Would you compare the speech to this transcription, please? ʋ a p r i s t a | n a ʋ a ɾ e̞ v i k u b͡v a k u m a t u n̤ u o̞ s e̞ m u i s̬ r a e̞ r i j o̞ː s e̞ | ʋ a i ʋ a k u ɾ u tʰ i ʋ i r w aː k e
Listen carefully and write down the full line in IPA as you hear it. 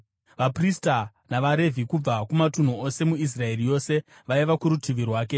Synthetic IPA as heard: ʋ a p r i s t a | n a ʋ a ɾ e̞ v i k u b͡v a k u m a t u n̤ u o̞ s e̞ m u i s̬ r a e̞ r i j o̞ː s e̞ | ʋ a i ʋ a k u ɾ u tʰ i ʋ i r w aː k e